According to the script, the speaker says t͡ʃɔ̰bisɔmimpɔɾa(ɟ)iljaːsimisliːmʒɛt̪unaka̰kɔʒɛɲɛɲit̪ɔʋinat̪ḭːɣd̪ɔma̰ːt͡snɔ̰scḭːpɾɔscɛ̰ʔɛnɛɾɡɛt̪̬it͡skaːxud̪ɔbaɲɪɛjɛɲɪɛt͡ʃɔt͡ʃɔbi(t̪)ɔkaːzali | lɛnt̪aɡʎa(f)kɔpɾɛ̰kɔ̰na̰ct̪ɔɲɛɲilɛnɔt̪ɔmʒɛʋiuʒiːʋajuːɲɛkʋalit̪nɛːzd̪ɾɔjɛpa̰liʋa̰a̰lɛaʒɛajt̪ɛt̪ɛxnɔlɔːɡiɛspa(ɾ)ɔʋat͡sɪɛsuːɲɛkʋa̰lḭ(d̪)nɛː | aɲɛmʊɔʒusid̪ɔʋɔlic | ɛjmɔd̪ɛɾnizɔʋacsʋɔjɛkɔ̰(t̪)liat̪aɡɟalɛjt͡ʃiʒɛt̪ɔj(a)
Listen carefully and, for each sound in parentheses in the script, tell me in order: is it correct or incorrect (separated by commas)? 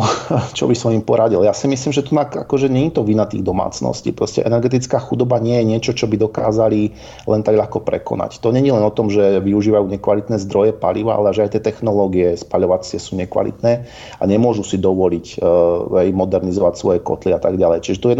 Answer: correct, incorrect, incorrect, incorrect, incorrect, correct, incorrect